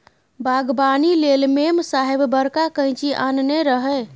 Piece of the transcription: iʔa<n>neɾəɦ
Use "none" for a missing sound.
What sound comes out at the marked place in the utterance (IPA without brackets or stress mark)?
n